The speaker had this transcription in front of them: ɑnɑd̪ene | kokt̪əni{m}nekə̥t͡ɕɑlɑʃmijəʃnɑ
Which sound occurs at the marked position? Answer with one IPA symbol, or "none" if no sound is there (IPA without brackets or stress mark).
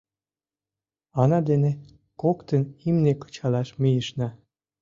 m